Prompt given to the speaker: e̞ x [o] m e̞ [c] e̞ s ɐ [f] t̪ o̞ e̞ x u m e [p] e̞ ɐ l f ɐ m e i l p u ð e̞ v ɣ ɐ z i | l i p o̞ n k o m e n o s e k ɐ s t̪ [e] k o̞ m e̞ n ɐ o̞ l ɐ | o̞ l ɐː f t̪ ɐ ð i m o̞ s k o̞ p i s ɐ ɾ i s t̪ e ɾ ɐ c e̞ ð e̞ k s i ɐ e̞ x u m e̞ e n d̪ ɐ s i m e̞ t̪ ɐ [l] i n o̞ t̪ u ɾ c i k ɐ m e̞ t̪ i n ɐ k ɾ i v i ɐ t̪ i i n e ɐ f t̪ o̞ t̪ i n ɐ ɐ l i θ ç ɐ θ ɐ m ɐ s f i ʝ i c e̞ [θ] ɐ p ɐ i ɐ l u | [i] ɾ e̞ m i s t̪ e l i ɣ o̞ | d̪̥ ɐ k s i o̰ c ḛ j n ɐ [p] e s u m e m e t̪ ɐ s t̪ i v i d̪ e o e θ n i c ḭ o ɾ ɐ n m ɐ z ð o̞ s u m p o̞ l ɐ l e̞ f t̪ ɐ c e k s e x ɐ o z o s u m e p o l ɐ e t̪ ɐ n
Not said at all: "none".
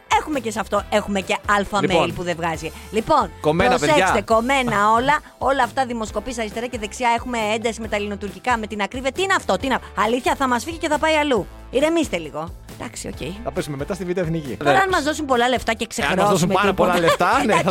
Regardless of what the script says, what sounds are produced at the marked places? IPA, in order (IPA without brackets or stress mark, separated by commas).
u, c, f, c, e, l, θ, i, p